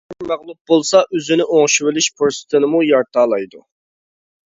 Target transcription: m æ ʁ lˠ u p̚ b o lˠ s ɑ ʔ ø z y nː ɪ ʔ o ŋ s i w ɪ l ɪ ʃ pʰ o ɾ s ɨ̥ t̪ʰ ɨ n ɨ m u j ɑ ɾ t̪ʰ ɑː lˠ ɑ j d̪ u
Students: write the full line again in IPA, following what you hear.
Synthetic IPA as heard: m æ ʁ lˠ u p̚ b o lˠ s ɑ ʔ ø z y n ɪ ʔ o ŋ ʃ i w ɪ l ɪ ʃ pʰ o ɾ s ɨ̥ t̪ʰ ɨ n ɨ m u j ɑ ɾ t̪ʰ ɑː lˠ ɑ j d̪ u

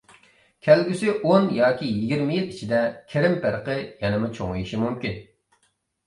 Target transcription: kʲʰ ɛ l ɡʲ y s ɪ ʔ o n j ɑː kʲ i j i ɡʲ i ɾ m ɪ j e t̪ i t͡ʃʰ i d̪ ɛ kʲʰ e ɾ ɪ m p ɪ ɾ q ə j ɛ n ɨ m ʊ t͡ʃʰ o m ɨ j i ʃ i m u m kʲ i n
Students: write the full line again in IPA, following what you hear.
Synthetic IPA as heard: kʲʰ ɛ l ɡʲ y s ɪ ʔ o n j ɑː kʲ i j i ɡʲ i ɾ m ɪ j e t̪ i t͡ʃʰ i d̪ ɛ kʲʰ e ɾ ɪ m p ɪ ɾ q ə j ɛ n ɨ m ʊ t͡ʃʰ o ŋ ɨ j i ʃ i m u m kʲ i n

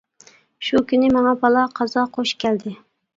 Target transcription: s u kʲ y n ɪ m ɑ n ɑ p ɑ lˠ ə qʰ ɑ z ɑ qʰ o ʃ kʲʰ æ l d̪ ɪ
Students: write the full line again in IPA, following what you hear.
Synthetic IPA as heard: ʃ u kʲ y n ɪ m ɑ ŋ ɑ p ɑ lˠ ɑ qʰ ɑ z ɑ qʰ o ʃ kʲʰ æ l d̪ ɪ

